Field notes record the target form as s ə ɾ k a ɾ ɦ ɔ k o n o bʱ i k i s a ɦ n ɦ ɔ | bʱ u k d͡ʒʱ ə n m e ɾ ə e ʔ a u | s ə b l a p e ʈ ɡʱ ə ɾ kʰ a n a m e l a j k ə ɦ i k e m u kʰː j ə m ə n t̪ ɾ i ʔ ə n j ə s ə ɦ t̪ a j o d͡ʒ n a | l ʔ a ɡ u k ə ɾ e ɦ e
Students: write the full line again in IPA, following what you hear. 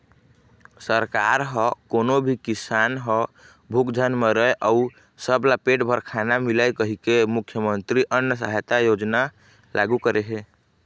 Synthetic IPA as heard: s ə ɾ k a ɾ ɦ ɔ k o n o bʱ i k i s a n ɦ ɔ | bʱ u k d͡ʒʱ ə n m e ɾ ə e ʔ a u | s ə b l a p e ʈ bʱ ə ɾ kʰ a n a m i l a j k ə ɦ i k e m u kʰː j ə m ə n t̪ ɾ i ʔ ə n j ə s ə ɦ t̪ a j o d͡ʒ n a | l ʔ a ɡ u k ə ɾ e ɦ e